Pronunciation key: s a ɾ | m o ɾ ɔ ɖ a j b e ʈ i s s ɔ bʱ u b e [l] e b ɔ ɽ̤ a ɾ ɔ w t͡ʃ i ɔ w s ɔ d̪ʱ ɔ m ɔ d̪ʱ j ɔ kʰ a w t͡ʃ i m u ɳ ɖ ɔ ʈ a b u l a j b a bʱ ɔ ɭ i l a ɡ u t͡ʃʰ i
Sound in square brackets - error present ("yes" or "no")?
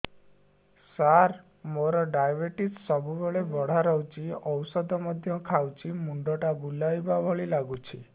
yes